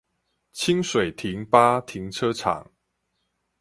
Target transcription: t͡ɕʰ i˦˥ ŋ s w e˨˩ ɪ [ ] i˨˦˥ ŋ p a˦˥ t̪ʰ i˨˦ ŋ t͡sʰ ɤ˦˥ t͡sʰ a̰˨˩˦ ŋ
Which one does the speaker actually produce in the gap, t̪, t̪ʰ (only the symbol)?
t̪ʰ